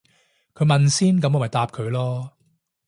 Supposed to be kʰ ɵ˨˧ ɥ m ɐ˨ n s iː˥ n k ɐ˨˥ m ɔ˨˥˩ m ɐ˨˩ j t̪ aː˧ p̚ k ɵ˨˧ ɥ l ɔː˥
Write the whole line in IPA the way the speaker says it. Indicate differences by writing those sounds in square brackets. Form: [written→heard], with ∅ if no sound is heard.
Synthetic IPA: kʰ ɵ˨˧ ɥ m ɐ˨ n s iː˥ n k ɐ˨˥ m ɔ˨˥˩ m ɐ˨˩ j t̪ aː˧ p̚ [k→kʰ] ɵ˨˧ ɥ l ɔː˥